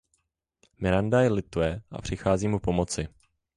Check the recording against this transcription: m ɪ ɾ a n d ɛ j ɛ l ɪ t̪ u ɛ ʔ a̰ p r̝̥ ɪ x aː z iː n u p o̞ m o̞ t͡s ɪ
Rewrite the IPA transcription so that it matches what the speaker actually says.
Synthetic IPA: m ɪ ɾ a n d a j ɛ l ɪ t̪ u ɛ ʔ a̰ p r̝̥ ɪ x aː z iː m u p o̞ m o̞ t͡s ɪ